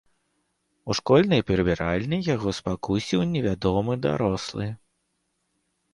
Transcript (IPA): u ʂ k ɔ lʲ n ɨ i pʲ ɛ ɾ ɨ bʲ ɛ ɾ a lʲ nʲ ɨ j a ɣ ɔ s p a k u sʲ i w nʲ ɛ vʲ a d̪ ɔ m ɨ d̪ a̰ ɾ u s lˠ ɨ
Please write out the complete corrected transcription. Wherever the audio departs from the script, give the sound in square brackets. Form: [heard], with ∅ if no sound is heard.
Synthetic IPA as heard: u ʂ k ɔ lʲ n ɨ [j] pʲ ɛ ɾ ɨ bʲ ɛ ɾ a lʲ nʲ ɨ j a ɣ ɔ s p a k u sʲ i w nʲ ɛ vʲ a d̪ ɔ m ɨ d̪ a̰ ɾ [ɔ] s lˠ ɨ